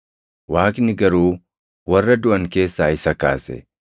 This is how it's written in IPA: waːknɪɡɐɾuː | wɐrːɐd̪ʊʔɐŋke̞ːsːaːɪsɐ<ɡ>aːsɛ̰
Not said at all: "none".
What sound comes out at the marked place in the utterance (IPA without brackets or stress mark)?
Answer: k